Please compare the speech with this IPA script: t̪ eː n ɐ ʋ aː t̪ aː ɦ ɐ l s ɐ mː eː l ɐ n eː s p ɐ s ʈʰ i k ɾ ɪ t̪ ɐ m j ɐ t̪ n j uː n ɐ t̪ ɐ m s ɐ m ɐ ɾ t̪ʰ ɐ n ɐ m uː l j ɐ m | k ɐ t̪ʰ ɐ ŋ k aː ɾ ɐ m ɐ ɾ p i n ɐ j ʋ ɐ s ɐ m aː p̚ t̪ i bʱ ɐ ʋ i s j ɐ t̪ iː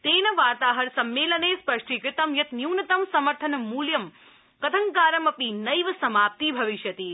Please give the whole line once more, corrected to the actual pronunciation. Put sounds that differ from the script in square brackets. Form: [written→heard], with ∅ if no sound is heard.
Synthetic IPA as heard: t̪ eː n ɐ ʋ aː t̪ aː ɦ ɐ [l→ɾ] s ɐ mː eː l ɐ n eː s p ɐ [s→ʂ] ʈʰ i k ɾ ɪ t̪ ɐ m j ɐ t̪ n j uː n ɐ t̪ ɐ m s ɐ m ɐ ɾ t̪ʰ ɐ n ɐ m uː l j ɐ m | k ɐ t̪ʰ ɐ ŋ k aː ɾ ɐ m ɐ [ɾ→∅] p i n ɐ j ʋ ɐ s ɐ m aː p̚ t̪ i bʱ ɐ ʋ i [s→ʃ] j ɐ t̪ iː